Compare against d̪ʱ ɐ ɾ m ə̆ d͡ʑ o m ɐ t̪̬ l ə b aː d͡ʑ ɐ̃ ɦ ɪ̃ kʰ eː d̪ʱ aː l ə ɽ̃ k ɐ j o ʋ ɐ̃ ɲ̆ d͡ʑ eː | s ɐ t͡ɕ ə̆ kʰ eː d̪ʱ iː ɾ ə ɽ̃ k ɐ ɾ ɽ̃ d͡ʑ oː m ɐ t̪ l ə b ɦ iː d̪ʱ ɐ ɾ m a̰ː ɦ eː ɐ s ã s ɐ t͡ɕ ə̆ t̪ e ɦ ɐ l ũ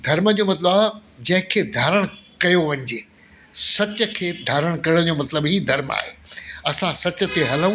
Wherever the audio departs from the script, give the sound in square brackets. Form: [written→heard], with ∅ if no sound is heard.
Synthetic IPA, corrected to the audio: d̪ʱ ɐ ɾ m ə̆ d͡ʑ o m ɐ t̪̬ l ə b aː d͡ʑ ɐ̃ ɦ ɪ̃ kʰ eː d̪ʱ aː [l→ɾ] ə ɽ̃ k ɐ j o ʋ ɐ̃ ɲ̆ d͡ʑ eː | s ɐ t͡ɕ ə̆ kʰ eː d̪ʱ [iː→aː] ɾ ə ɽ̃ k ɐ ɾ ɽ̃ d͡ʑ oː m ɐ t̪ l ə b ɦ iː d̪ʱ ɐ ɾ m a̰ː ɦ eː ɐ s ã s ɐ t͡ɕ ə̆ t̪ e ɦ ɐ l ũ